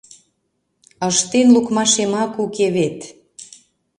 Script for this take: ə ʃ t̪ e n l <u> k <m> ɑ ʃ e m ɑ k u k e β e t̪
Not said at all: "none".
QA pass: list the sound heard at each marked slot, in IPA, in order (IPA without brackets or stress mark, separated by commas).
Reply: u, m